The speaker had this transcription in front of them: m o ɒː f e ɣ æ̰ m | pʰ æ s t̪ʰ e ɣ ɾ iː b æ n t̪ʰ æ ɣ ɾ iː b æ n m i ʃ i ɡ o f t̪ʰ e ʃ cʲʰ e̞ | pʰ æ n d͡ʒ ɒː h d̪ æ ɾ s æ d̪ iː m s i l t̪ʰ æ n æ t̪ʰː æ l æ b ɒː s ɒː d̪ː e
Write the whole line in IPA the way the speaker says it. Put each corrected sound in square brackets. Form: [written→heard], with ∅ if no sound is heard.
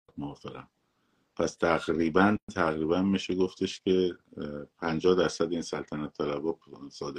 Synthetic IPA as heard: m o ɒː f e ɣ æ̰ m | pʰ æ s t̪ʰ [e→æ] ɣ ɾ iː b æ n t̪ʰ æ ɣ ɾ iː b æ n m i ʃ [i→e] ɡ o f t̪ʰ e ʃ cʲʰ e̞ | pʰ æ n d͡ʒ ɒː h d̪ æ ɾ s æ d̪ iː [m→n] s [i→æ] l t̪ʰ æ n æ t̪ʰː æ l æ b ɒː s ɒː [d̪ː→d̪] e